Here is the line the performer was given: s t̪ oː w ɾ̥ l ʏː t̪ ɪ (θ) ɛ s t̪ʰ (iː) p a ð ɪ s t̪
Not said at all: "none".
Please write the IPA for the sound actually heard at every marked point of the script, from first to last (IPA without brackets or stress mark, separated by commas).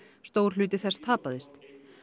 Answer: θ, aː